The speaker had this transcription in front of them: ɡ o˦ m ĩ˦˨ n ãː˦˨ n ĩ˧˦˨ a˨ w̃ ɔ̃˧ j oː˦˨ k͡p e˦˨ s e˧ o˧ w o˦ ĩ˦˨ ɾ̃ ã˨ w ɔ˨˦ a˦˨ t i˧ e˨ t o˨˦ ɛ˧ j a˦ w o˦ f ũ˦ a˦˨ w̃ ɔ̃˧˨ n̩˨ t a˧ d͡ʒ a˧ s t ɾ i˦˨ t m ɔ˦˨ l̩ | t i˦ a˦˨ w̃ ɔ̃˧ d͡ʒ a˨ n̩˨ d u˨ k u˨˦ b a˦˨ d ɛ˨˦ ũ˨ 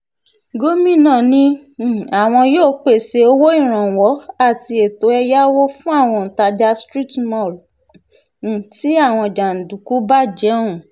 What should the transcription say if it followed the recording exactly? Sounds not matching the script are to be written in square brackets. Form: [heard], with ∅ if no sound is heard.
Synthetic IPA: ɡ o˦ m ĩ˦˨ n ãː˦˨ n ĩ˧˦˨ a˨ w̃ ɔ̃˧ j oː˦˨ k͡p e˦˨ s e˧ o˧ w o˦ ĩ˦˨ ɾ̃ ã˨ w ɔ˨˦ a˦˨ t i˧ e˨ t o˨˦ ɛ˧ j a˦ w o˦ f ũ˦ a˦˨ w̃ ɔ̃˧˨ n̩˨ t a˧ d͡ʒ a˧ s t ɾ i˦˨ t m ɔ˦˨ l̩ | t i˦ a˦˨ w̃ ɔ̃˧ d͡ʒ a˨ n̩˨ d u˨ k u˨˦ b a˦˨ [d͡ʒ] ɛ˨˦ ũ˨

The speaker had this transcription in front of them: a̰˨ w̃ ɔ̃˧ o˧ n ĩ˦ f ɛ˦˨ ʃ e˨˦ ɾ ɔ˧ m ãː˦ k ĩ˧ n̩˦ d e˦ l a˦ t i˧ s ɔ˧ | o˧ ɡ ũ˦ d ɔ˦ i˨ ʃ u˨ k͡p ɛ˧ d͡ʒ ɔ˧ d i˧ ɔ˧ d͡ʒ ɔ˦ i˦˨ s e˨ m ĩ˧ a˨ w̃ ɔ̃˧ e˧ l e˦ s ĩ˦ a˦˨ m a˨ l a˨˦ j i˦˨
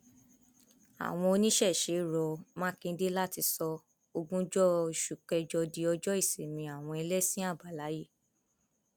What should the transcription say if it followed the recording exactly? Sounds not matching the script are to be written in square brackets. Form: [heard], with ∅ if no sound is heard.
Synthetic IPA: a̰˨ w̃ ɔ̃˧ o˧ n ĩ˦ [ʃ] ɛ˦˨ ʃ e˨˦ ɾ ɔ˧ m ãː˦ k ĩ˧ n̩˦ d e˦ l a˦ t i˧ s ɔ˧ | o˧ ɡ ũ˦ [d͡ʒ] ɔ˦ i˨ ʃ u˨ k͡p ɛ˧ d͡ʒ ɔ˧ d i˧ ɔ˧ d͡ʒ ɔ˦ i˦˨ s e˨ m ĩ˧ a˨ w̃ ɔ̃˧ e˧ l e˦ s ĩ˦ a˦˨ [b] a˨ l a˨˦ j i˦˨

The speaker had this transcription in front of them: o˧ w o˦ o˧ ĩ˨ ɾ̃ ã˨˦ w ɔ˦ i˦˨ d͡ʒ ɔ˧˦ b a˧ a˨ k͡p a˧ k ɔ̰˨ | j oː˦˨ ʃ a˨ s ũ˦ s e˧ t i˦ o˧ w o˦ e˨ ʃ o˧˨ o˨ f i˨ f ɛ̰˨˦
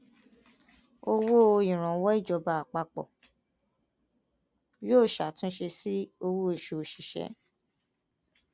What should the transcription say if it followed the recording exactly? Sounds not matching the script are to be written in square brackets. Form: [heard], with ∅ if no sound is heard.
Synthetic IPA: o˧ w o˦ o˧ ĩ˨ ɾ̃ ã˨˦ w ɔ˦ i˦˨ d͡ʒ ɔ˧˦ b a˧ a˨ k͡p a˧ [k͡p] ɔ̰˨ | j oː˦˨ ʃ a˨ [t] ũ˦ [ʃ] e˧ [s] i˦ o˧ w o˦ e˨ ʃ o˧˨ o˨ [ʃ] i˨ [ʃ] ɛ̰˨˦

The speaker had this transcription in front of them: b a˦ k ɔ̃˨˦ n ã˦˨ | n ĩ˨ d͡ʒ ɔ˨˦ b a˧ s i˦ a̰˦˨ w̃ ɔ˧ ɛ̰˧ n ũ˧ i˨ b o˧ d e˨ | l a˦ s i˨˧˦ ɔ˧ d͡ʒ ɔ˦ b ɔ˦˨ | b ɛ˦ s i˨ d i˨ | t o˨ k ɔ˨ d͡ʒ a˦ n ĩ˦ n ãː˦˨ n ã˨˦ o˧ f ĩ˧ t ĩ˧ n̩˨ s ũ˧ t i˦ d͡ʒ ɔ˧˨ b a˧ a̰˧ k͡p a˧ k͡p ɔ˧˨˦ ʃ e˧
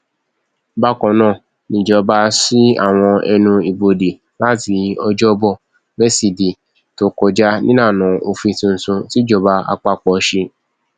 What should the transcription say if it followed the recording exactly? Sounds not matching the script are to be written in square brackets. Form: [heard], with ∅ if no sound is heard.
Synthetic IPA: b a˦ k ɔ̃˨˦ n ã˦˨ | n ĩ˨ d͡ʒ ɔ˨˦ b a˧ s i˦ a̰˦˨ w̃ [ɔ̃˧] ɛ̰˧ n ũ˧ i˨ b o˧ d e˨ | l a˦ [t] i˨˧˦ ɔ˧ d͡ʒ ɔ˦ b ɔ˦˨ | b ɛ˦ s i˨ d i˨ | t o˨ k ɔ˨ d͡ʒ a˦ n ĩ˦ n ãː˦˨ n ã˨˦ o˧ f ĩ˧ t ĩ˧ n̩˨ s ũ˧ t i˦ d͡ʒ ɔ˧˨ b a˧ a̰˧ k͡p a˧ k͡p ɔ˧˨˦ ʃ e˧

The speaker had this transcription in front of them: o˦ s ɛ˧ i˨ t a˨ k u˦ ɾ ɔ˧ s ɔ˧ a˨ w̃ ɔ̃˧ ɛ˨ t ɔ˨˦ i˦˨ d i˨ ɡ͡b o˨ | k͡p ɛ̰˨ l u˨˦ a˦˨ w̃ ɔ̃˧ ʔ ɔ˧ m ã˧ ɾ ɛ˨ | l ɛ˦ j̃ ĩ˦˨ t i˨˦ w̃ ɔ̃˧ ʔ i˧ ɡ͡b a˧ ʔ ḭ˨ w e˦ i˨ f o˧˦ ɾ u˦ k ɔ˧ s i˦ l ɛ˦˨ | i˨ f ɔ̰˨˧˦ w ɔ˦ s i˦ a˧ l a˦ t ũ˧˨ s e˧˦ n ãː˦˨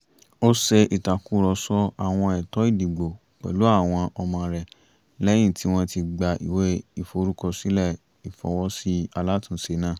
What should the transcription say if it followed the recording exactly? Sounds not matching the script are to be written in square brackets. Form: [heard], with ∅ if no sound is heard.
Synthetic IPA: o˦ s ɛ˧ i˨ t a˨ k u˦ ɾ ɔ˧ s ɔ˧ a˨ w̃ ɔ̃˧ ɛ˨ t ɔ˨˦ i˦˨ d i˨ ɡ͡b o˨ | k͡p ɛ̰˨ l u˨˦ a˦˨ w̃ ɔ̃˧ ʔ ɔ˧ m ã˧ ɾ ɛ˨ | l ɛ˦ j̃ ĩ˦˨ t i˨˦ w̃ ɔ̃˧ [t] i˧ ɡ͡b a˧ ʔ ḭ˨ w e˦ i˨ f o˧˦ ɾ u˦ k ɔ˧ s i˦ l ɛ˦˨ | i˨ f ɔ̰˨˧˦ w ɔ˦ s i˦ a˧ l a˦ t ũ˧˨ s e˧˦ n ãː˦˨

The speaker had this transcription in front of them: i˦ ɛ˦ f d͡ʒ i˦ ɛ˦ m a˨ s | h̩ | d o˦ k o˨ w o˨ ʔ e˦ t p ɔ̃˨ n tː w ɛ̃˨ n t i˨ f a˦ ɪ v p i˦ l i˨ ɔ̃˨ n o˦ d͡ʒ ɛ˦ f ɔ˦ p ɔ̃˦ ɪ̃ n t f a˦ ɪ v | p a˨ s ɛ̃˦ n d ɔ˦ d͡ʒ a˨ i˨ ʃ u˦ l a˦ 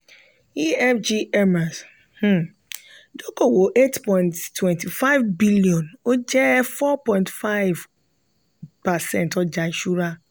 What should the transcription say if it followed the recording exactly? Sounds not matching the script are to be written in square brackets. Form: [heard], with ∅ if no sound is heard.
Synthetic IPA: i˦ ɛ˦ f d͡ʒ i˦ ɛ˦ m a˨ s | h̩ | d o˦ k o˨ w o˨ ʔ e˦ t p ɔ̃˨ n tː w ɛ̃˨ n t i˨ f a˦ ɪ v [b] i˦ l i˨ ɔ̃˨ n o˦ d͡ʒ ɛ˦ f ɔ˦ p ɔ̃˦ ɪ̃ n t f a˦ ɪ v | p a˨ s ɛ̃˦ n [t] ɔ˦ d͡ʒ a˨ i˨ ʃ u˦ [ɾ] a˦

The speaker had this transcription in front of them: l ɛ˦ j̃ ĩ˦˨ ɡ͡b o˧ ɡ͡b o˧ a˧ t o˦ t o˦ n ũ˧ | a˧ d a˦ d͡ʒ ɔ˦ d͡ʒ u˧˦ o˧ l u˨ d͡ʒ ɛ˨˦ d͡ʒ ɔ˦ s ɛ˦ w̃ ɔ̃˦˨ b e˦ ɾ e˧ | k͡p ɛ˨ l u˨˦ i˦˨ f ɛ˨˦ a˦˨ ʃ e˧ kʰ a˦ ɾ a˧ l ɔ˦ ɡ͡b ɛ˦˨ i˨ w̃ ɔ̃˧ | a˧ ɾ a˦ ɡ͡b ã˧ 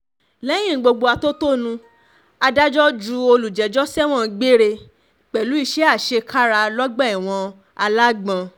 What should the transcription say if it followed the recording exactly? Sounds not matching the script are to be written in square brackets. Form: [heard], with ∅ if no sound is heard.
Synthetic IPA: l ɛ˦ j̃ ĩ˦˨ ɡ͡b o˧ ɡ͡b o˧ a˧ t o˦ t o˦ n ũ˧ | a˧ d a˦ d͡ʒ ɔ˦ d͡ʒ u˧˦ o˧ l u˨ d͡ʒ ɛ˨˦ d͡ʒ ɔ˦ s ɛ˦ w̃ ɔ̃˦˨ [ɡ͡b] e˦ ɾ e˧ | k͡p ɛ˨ l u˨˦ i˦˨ [ʃ] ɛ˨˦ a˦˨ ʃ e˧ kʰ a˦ ɾ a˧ l ɔ˦ ɡ͡b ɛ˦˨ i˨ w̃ ɔ̃˧ | a˧ [l] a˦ ɡ͡b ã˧

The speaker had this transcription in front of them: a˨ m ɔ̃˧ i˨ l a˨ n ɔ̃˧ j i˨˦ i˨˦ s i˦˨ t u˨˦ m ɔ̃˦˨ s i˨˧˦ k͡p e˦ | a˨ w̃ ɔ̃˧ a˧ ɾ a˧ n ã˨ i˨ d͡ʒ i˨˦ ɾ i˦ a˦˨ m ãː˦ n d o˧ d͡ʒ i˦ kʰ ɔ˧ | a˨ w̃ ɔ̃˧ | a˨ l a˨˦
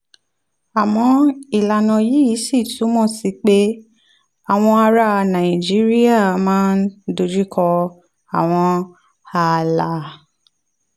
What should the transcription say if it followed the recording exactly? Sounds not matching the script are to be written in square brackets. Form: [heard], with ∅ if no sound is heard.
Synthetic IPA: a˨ m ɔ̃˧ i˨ l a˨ n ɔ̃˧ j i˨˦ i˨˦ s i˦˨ t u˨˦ m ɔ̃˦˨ s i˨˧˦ k͡p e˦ | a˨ w̃ ɔ̃˧ a˧ ɾ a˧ n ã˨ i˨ d͡ʒ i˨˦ ɾ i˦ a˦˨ m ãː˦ n d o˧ d͡ʒ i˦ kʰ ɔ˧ | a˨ w̃ ɔ̃˧ | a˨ l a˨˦

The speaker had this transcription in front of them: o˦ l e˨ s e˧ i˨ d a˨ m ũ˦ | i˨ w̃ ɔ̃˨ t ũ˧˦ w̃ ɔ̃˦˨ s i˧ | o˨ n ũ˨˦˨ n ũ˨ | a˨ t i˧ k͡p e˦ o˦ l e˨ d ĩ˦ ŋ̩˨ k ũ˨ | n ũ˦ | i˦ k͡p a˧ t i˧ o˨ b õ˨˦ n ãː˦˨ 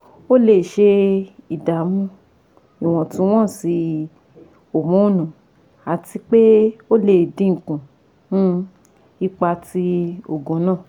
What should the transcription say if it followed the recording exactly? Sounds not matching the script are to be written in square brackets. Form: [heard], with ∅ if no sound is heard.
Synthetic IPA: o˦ l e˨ [ʃ] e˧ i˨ d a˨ m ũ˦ | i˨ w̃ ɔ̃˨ t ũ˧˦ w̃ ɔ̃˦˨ s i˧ | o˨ [m] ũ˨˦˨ n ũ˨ | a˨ t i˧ k͡p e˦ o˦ l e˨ d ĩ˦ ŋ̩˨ k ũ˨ | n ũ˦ | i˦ k͡p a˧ t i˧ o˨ [ɡ] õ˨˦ n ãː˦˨

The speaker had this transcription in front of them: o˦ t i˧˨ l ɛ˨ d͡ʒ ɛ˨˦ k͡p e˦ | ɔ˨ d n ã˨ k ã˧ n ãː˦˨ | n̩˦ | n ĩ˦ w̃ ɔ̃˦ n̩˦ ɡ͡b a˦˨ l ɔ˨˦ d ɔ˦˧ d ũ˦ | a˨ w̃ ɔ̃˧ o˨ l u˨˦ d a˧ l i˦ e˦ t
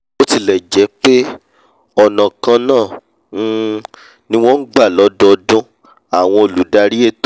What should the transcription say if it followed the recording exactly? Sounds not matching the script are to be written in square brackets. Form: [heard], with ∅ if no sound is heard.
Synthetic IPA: o˦ t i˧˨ l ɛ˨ d͡ʒ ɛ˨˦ k͡p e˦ | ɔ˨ [∅] n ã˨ k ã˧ n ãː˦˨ | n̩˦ | n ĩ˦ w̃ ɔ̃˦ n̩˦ ɡ͡b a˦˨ l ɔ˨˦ d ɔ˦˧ d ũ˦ | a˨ w̃ ɔ̃˧ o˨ l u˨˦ d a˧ [ɾ] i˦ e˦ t

